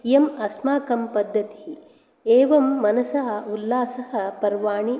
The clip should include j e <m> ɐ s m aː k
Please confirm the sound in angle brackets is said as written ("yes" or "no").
yes